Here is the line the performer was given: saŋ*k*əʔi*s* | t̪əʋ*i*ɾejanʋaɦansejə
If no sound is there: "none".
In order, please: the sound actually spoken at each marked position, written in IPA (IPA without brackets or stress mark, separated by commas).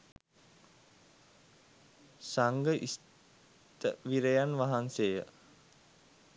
ɡ, s, i